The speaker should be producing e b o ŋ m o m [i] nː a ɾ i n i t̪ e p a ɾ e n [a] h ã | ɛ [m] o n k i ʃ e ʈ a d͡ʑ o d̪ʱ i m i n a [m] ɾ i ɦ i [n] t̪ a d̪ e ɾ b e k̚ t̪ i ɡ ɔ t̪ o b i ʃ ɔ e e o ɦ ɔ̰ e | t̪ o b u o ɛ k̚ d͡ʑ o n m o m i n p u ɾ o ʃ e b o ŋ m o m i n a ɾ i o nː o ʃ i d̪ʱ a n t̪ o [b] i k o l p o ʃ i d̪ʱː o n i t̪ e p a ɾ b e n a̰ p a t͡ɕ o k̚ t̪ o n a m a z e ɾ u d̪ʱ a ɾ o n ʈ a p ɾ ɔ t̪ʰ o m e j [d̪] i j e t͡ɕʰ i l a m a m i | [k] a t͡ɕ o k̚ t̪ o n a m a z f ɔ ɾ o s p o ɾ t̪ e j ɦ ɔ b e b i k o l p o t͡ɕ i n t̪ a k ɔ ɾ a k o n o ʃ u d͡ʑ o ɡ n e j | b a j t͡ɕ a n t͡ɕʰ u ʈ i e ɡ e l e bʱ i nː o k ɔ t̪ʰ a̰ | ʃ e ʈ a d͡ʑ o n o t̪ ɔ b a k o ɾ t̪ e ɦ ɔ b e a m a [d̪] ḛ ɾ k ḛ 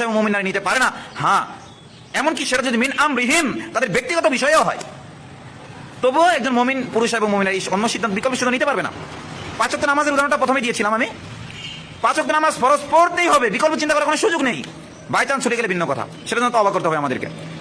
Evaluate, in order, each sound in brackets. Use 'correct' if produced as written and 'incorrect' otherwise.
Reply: correct, correct, correct, correct, incorrect, correct, correct, incorrect, correct

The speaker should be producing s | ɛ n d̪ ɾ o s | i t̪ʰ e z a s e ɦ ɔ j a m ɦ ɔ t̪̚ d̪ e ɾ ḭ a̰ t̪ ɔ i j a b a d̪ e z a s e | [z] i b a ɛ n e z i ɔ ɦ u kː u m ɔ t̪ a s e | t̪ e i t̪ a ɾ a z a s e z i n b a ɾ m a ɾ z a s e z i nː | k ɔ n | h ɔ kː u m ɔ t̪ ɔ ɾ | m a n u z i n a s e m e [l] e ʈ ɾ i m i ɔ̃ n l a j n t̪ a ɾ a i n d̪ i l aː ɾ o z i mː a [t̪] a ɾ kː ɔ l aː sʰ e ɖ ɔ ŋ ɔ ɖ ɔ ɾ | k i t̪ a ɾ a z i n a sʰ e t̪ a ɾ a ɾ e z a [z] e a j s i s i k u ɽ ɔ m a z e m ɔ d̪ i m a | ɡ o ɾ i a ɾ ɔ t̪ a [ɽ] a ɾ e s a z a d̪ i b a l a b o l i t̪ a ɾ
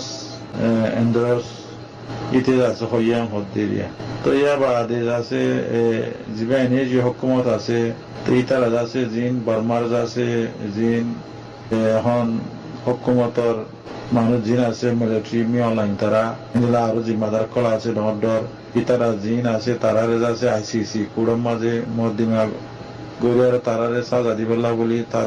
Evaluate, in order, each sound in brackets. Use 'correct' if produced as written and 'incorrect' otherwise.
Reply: correct, correct, incorrect, incorrect, incorrect

